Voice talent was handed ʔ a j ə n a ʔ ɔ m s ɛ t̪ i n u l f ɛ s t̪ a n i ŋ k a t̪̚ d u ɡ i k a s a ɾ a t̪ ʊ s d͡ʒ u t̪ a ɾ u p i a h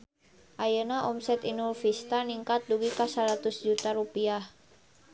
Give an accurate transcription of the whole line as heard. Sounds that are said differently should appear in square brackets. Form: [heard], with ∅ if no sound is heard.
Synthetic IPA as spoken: ʔ a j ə n a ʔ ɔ m s ɛ t̪ i n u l f [i] s t̪ a n i ŋ k a t̪̚ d u ɡ i k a s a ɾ a t̪ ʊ s d͡ʒ u t̪ a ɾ u p i a h